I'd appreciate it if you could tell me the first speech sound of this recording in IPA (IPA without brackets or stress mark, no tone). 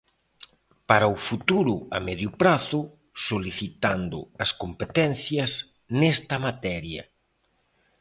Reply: p